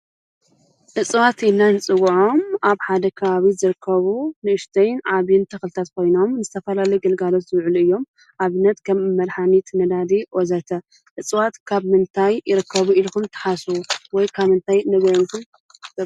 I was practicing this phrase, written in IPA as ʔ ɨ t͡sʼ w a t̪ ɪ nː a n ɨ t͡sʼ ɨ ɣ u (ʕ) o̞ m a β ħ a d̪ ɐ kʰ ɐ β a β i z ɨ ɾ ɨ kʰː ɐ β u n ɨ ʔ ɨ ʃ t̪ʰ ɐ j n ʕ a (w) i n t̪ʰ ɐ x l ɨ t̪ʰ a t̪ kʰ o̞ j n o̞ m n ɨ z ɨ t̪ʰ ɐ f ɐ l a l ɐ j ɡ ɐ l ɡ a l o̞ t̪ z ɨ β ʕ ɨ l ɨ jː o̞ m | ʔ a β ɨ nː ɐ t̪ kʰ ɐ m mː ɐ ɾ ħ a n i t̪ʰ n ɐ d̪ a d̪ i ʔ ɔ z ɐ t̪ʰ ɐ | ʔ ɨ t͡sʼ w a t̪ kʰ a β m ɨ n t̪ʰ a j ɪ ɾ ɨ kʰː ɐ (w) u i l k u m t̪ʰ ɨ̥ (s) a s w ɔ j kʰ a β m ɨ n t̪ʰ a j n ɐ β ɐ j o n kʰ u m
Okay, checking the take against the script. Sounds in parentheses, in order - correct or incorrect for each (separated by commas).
correct, incorrect, incorrect, incorrect